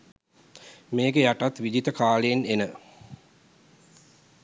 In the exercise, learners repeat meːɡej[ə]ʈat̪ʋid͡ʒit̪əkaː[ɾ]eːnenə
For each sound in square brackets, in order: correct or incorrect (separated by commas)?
incorrect, incorrect